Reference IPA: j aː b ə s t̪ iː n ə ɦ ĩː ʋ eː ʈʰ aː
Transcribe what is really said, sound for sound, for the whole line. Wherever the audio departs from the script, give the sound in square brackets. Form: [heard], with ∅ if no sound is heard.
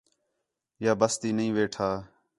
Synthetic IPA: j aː b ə s t̪ iː n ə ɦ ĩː ʋ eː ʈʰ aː